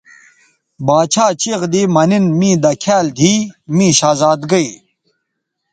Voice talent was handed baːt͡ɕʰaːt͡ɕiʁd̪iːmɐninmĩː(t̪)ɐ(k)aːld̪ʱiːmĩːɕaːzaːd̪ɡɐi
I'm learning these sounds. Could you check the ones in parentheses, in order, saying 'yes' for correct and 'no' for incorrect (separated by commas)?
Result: no, no